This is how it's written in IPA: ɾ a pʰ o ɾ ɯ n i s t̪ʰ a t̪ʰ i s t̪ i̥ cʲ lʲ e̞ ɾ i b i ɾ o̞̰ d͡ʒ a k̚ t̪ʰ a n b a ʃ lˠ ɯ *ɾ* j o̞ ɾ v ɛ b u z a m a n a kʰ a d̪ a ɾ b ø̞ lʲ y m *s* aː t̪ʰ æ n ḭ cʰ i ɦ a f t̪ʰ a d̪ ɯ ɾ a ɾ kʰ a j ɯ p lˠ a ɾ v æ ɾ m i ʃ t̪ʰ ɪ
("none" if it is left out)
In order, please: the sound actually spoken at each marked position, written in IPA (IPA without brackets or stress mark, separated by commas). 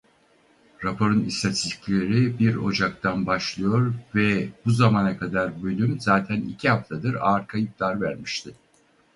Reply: none, z